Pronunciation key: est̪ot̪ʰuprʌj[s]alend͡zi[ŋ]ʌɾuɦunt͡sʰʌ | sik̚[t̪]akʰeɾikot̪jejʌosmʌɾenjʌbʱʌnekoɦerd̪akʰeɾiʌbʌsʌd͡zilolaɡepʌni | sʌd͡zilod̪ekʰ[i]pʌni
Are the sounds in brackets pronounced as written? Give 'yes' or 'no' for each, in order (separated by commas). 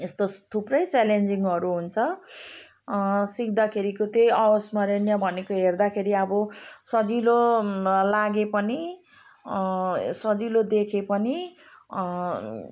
no, yes, no, no